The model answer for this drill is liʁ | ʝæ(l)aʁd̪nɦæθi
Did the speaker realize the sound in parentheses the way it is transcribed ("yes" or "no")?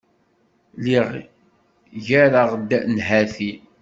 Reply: no